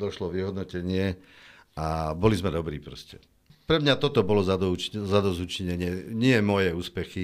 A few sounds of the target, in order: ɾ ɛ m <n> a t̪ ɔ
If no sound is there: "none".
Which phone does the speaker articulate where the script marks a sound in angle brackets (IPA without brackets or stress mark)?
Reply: ɲ